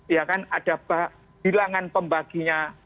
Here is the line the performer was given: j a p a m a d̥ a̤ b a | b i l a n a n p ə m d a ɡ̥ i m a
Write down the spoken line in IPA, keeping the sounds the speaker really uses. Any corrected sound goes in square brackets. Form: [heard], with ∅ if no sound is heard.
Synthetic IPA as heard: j a [k] a [n] a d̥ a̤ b a | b i l a [ŋ] a n p ə m [b] a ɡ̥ i [ɲ] a